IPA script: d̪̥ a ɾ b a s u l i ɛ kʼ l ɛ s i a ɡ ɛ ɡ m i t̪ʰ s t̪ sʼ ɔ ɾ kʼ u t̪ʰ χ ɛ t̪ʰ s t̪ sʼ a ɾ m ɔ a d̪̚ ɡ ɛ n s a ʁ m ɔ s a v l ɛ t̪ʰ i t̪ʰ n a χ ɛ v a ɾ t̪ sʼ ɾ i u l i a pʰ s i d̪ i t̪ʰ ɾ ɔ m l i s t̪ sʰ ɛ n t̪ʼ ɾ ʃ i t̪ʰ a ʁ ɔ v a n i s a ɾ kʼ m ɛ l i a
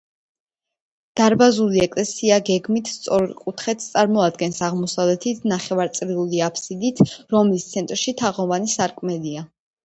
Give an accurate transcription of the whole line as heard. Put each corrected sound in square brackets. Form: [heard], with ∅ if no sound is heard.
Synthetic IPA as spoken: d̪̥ a ɾ b a [z] u l i ɛ kʼ l ɛ s i a ɡ ɛ ɡ m i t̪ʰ s t̪ sʼ ɔ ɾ kʼ u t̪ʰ χ ɛ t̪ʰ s t̪ sʼ a ɾ m ɔ a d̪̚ ɡ ɛ n s a ʁ m ɔ s a v l ɛ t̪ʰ i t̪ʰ n a χ ɛ v a ɾ t̪ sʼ ɾ i u l i a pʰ s i d̪ i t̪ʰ ɾ ɔ m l i s t̪ sʰ ɛ n t̪ʼ ɾ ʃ i t̪ʰ a ʁ ɔ v a n i s a ɾ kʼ m ɛ l i a